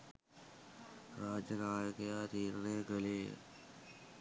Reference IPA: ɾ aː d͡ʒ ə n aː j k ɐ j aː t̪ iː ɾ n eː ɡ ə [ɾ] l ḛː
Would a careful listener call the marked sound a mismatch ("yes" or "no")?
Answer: yes